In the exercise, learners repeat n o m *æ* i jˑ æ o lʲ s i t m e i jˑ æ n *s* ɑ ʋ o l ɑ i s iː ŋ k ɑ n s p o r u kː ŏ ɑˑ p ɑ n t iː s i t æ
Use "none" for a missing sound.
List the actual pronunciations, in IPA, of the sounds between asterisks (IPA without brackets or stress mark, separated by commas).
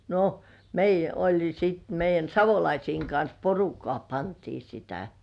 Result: e, s